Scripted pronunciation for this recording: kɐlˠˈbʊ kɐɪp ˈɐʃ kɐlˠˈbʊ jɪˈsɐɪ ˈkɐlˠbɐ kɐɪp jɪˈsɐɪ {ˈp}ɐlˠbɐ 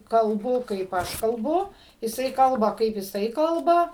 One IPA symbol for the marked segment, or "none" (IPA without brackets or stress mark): k